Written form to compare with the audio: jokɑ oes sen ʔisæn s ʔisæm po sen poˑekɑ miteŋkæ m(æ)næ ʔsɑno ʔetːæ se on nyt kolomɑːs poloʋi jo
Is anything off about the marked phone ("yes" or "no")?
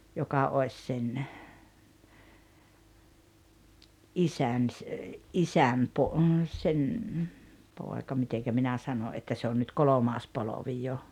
yes